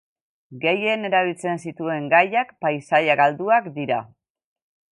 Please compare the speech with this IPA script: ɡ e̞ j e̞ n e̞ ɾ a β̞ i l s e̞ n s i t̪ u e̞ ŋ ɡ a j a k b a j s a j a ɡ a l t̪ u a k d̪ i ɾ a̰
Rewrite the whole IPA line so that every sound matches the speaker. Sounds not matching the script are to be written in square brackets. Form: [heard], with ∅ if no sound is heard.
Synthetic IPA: ɡ e̞ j e̞ n e̞ ɾ a β̞ i l [t͡s] e̞ n s i t̪ u e̞ ŋ ɡ a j a k [p] a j s a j a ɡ a l [d̪] u a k d̪ i ɾ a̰